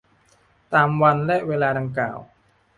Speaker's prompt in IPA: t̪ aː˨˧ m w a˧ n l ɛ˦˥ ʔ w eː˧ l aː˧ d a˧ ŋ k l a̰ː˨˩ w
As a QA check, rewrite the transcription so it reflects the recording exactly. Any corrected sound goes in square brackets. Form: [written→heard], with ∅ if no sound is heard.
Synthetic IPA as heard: t̪ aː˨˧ m w a˧ n l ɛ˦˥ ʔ w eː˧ l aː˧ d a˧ ŋ k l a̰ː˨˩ w